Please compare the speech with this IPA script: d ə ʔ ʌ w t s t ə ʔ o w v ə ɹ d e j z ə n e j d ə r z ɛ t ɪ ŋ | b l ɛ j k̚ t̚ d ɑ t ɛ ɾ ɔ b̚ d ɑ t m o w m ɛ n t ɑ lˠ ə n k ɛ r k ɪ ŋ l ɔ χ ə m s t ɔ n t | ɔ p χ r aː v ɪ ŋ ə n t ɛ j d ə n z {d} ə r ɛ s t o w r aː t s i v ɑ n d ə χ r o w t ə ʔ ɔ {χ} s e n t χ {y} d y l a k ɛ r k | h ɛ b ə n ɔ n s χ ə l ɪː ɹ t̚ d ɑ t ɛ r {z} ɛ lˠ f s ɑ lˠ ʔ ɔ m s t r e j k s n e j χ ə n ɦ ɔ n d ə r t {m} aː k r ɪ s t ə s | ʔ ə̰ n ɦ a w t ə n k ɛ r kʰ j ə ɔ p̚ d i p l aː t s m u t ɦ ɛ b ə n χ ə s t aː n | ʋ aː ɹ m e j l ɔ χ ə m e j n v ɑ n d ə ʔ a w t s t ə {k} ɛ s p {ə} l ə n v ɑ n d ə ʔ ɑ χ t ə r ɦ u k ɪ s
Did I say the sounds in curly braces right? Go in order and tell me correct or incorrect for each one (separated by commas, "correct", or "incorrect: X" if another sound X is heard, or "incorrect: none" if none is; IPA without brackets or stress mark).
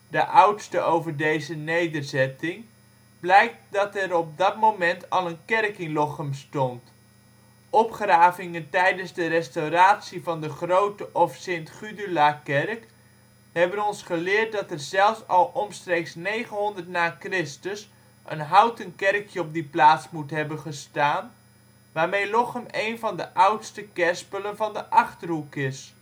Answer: correct, incorrect: f, correct, correct, incorrect: n, correct, correct